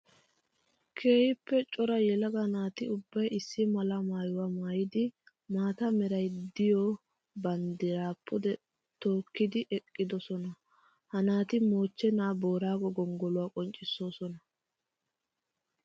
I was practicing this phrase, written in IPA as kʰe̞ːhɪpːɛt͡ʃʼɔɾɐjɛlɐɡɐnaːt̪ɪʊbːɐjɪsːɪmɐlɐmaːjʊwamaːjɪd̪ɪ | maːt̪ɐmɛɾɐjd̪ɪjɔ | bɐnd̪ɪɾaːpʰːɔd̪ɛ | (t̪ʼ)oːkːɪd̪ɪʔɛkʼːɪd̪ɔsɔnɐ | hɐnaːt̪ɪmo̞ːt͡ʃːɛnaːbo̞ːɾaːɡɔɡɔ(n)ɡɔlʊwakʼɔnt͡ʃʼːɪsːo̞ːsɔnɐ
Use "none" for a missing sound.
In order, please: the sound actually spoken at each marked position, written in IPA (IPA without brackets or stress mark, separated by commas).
t̪, ŋ